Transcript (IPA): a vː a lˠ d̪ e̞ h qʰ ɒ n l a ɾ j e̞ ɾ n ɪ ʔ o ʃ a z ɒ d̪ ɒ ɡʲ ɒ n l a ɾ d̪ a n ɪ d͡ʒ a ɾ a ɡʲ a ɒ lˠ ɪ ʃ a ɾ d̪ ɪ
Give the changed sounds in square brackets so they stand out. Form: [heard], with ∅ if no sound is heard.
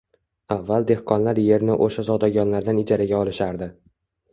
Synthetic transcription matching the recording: a vː a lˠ d̪ e̞ h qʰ ɒ n l a ɾ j e̞ ɾ n ɪ ʔ o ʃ a z ɒ d̪ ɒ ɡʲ ɒ n l a ɾ d̪ a n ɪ d͡ʒ a ɾ a ɡʲ a ɒ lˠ ɪ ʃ a ɾ d̪ ɪ